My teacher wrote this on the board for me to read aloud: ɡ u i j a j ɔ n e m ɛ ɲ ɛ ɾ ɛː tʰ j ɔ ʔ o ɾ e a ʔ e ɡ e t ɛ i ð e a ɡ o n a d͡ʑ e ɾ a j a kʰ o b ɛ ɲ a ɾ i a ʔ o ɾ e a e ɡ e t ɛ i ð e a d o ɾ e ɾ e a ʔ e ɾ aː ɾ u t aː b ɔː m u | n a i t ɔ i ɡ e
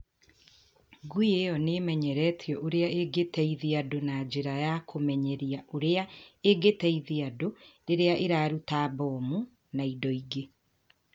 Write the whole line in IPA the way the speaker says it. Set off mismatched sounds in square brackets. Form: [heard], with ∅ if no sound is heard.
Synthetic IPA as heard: ɡ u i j [e] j ɔ n e m ɛ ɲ ɛ ɾ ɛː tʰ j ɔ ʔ o ɾ e a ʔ e ɡ e t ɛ i ð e a [d] o n a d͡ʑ e ɾ a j a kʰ o [m] ɛ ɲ [ɛ] ɾ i a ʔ o ɾ e a e ɡ e t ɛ i ð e a d o ɾ e ɾ e a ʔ e ɾ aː ɾ u t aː b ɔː m u | n a i [d] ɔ i ɡ e